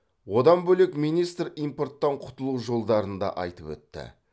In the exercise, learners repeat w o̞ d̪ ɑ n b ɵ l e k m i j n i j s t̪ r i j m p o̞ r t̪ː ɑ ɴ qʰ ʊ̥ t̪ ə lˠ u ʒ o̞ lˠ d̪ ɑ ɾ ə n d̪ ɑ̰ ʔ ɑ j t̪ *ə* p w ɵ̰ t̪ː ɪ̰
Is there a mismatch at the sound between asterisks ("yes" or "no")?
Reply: no